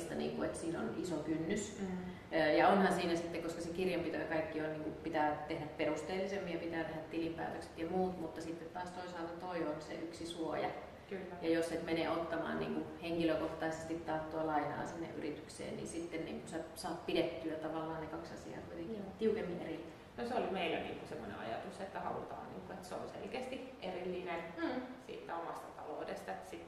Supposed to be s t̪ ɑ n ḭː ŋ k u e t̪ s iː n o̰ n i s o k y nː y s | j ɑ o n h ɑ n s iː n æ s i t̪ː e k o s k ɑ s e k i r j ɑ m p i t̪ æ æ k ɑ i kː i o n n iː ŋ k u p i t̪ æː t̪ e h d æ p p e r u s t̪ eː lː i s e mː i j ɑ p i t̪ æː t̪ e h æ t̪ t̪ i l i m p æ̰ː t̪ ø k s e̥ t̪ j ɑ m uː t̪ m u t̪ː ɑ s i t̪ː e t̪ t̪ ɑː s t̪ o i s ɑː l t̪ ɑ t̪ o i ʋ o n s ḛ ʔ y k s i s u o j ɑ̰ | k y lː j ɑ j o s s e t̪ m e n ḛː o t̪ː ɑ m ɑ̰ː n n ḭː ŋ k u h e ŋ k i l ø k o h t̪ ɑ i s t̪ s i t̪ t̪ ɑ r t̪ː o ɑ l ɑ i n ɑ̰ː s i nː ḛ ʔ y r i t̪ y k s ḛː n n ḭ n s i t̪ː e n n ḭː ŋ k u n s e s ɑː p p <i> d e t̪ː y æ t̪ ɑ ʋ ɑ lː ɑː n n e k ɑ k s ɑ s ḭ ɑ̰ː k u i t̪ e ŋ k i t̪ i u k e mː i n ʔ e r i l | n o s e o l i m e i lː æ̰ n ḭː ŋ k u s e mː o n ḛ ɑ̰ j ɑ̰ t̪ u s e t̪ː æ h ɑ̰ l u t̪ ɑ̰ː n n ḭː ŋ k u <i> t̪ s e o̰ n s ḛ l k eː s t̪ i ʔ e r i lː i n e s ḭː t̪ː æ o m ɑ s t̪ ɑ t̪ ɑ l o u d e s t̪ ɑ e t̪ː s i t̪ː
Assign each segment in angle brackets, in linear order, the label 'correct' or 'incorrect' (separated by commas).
correct, incorrect